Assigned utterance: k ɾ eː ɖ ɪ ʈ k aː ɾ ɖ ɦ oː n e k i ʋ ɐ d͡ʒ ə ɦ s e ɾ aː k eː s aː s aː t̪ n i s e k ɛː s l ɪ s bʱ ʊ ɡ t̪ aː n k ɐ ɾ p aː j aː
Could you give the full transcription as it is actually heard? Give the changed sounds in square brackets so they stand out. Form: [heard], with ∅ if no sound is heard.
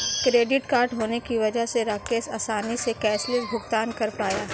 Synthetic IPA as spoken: k ɾ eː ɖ ɪ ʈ k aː ɾ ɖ ɦ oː n e k i ʋ ɐ d͡ʒ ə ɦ s e ɾ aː k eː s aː s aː [∅] n i s e k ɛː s l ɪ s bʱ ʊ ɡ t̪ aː n k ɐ ɾ p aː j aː